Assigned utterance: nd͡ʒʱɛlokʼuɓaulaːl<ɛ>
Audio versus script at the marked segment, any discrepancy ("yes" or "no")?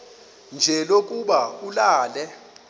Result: no